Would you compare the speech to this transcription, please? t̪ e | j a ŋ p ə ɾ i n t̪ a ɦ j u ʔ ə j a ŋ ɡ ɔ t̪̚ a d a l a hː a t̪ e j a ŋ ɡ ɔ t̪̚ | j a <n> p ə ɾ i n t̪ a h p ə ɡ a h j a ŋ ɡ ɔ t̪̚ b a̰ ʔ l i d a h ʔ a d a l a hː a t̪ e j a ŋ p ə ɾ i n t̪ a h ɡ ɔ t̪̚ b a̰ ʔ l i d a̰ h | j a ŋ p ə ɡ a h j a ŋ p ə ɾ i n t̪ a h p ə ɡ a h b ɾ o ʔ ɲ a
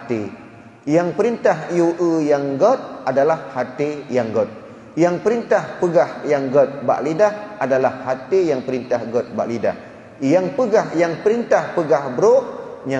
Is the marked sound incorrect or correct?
incorrect